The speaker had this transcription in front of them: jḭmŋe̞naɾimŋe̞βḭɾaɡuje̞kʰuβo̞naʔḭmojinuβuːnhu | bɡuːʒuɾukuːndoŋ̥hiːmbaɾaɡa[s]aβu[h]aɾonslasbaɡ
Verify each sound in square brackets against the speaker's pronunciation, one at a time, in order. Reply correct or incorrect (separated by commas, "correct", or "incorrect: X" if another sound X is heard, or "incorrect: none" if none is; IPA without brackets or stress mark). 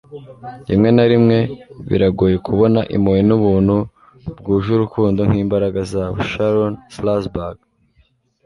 incorrect: z, incorrect: ʃ